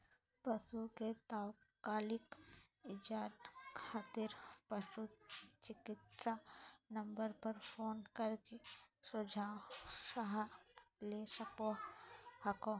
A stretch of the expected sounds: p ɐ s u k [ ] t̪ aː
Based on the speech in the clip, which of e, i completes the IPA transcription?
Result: e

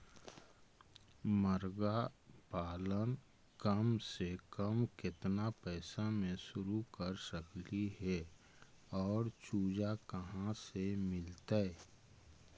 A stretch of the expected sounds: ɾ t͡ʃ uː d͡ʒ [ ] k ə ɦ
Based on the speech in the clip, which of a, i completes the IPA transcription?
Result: a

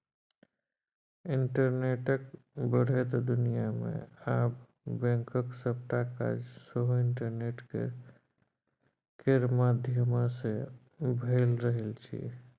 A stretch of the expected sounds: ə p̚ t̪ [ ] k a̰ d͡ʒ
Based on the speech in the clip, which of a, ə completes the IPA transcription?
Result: a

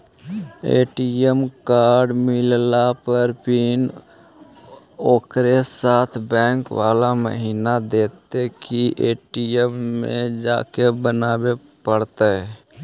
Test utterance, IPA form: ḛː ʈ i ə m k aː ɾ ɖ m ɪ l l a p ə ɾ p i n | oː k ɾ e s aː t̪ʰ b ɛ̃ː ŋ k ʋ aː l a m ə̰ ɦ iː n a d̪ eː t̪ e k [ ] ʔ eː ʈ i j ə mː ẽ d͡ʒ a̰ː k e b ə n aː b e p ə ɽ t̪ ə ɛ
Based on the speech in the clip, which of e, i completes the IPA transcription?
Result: i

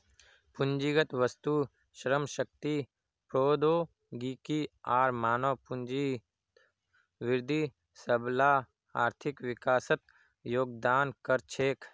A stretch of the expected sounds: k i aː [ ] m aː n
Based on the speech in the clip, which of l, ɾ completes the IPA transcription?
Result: ɾ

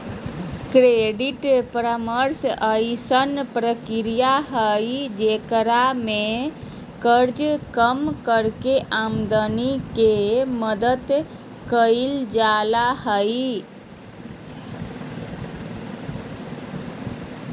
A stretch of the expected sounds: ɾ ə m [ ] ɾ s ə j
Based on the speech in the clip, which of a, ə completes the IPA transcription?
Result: ə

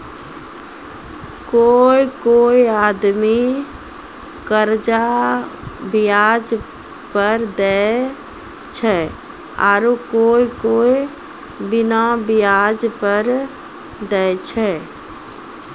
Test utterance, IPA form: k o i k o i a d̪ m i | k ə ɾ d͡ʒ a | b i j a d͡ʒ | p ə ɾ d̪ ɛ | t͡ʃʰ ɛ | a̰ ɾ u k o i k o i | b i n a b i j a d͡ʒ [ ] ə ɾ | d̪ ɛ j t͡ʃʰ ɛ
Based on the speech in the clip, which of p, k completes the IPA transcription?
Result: p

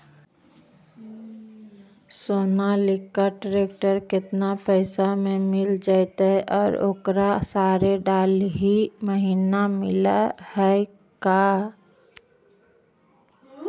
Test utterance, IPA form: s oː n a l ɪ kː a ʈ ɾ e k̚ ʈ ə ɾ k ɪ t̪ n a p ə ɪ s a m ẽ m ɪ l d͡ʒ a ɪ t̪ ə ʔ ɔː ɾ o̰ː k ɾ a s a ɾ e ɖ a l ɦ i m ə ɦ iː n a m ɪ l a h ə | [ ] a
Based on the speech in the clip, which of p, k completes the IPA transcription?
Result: k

